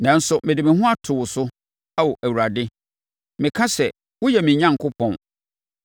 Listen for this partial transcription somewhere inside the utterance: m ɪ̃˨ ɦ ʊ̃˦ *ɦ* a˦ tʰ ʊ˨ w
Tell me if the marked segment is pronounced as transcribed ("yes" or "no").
no